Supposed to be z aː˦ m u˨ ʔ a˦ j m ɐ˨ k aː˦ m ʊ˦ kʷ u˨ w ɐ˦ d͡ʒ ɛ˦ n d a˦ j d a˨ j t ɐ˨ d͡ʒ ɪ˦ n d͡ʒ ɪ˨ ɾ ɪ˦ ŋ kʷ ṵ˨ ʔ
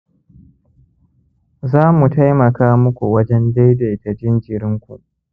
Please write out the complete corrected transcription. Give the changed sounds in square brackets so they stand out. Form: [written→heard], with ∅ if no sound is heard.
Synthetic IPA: z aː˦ m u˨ [ʔ→t] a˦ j m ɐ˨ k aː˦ m ʊ˦ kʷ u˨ w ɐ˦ d͡ʒ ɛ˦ n d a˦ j d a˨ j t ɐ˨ d͡ʒ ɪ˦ n d͡ʒ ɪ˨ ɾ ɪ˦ ŋ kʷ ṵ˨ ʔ

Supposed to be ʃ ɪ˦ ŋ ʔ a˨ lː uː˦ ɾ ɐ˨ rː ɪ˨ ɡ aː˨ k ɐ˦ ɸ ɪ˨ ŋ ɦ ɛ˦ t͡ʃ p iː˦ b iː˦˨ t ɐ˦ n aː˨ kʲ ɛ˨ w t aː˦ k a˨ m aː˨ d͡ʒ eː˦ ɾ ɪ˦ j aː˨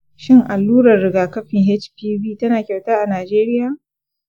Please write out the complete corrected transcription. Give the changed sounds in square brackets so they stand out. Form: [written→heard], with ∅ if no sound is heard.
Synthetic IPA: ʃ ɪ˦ ŋ ʔ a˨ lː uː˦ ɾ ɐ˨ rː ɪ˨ ɡ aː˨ k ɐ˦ ɸ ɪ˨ ŋ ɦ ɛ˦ t͡ʃ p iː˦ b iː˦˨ t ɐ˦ n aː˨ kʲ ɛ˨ w t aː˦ [k→ʔ] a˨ [m→n] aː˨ d͡ʒ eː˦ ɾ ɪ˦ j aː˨

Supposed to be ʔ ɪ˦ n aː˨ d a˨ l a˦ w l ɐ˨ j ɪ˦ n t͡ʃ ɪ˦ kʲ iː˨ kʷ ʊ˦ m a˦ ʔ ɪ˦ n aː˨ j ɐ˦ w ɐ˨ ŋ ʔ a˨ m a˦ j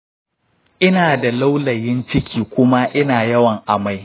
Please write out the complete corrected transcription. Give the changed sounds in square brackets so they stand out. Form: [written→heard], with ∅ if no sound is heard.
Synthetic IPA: ʔ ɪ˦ n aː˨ d a˨ l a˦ w l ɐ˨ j ɪ˦ n t͡ʃ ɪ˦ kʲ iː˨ kʷ ʊ˦ m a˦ ʔ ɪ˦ n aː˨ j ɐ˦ w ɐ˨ ŋ ʔ a˨ m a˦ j

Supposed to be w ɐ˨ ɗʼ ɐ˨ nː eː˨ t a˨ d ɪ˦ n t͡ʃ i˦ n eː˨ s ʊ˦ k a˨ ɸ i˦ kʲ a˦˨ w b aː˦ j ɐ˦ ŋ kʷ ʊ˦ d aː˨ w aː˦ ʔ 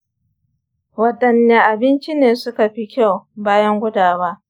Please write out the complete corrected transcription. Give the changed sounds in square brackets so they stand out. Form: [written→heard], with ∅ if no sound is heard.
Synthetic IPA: w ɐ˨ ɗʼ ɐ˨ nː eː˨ [t→ʔ] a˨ [d→b] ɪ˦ n t͡ʃ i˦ n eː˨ s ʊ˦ k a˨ ɸ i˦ kʲ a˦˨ w b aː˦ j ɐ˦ ŋ [kʷ→ɡʷ] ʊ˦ d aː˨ w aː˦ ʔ

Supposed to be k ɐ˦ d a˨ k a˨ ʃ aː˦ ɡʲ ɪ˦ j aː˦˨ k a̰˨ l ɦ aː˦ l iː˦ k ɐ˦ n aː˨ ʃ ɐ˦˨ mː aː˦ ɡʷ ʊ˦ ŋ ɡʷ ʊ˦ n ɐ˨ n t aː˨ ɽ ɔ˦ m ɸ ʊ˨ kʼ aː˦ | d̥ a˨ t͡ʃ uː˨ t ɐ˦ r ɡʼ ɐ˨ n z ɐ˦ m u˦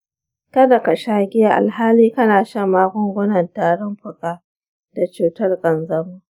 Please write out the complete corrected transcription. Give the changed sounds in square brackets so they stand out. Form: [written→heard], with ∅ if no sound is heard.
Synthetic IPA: k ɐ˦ d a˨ k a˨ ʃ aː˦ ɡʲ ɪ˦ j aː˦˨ [k→ʔ] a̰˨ l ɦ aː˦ l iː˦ k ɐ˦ n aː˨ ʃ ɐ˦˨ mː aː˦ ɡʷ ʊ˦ ŋ ɡʷ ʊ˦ n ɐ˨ n t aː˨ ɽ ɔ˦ m ɸ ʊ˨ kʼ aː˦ | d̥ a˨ t͡ʃ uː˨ t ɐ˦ r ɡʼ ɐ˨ n z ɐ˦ m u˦

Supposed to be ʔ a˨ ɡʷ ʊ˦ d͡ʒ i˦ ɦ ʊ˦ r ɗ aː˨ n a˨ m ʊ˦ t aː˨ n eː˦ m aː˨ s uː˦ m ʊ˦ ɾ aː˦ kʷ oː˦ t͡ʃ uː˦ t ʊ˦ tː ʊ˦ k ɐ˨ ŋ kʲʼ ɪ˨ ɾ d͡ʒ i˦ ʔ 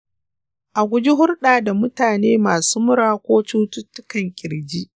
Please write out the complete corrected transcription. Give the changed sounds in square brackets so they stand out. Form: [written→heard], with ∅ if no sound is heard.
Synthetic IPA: ʔ a˨ ɡʷ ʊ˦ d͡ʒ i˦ ɦ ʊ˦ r ɗ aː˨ [n→d] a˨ m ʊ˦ t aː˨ n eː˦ m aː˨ s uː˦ m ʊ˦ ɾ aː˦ kʷ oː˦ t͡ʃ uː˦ t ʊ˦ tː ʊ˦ k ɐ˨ ŋ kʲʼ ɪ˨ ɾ d͡ʒ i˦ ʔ

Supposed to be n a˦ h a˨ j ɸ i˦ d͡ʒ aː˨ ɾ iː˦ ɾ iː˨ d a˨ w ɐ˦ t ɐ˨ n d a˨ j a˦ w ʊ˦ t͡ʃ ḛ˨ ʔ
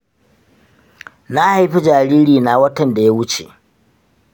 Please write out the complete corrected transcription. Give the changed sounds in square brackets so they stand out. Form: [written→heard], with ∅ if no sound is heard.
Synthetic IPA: n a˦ h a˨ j ɸ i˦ d͡ʒ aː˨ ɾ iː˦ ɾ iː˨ [d→n] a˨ w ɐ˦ t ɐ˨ n d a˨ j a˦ w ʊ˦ t͡ʃ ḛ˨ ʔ

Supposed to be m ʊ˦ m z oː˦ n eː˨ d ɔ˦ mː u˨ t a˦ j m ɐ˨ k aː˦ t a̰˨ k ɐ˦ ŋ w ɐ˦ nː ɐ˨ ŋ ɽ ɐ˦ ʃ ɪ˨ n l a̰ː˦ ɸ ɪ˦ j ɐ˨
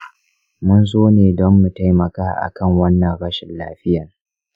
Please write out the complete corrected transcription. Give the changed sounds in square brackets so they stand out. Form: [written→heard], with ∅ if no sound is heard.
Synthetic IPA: m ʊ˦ [m→n] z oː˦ n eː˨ d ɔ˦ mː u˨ t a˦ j m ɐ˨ k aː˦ [t→ʔ] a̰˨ k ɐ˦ ŋ w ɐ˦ nː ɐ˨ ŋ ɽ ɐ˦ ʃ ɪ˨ n l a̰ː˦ ɸ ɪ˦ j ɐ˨

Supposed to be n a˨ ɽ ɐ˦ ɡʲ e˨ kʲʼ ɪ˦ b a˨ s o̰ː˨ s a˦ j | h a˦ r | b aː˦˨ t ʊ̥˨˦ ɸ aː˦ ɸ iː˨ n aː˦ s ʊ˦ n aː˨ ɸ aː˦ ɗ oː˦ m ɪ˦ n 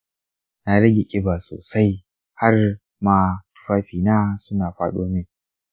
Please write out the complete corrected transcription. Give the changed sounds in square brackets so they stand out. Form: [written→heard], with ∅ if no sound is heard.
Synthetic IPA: n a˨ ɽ ɐ˦ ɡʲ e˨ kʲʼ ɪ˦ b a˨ s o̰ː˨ s a˦ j | h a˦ r | [b→m] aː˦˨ t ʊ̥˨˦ ɸ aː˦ ɸ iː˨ n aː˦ s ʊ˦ n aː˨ ɸ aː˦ ɗ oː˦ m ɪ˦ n

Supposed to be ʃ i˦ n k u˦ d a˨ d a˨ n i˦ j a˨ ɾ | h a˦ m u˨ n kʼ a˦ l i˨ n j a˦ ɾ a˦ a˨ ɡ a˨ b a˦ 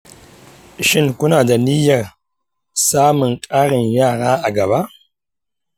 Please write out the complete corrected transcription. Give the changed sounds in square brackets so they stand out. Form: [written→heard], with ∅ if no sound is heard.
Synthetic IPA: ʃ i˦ n k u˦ [d→n] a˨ d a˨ n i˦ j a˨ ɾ | [h→s] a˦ m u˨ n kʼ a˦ [l→ɾ] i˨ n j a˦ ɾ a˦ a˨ ɡ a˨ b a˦

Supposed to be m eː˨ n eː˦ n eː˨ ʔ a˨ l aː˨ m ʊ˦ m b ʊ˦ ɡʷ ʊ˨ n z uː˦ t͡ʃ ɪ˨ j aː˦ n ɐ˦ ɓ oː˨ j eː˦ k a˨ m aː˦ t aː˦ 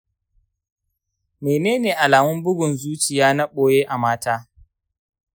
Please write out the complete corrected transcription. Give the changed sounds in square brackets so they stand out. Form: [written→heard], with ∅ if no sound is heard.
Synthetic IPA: m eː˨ n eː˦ n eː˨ ʔ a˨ l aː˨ m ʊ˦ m b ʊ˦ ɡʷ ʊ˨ n z uː˦ t͡ʃ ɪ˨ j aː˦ n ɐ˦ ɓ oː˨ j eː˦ [k→ʔ] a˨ m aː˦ t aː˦

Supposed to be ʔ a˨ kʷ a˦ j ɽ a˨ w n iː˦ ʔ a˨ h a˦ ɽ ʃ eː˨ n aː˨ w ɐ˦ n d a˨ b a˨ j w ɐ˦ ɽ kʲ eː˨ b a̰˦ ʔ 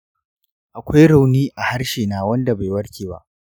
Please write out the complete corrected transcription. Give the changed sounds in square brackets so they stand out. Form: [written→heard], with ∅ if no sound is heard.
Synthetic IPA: ʔ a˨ kʷ a˦ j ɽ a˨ w n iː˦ ʔ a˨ h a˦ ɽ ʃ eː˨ n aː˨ w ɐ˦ n d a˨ b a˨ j w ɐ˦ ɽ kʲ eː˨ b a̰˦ ʔ

